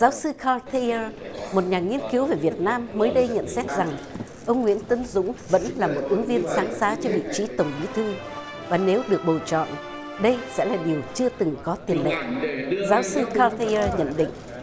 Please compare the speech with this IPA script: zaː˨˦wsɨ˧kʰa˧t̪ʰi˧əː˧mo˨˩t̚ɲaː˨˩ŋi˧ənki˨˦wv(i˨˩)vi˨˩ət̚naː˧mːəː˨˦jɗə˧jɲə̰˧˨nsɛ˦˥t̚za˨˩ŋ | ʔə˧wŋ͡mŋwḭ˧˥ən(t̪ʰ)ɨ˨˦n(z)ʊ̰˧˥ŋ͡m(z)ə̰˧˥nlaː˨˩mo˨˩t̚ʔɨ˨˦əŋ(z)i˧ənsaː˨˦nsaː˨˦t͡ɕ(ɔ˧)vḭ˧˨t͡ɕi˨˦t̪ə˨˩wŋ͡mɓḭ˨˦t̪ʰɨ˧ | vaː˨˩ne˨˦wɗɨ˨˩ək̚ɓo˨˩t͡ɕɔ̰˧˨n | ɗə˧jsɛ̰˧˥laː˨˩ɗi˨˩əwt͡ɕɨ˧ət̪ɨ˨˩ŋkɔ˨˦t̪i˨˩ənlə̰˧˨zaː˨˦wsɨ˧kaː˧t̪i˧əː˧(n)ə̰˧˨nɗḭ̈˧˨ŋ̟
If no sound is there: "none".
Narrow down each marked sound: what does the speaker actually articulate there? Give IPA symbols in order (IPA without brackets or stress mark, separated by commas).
e˨˩, t̪, z, v, v, ɔ˧, ɲ